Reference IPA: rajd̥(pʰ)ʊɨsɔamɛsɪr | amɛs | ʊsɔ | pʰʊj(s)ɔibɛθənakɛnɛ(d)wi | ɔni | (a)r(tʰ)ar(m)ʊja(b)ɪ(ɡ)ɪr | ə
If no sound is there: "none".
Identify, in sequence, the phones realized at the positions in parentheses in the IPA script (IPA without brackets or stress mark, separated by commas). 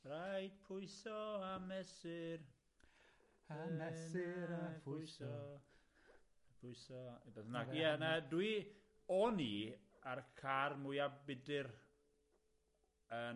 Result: pʰ, s, d, a, kʰ, m, b, d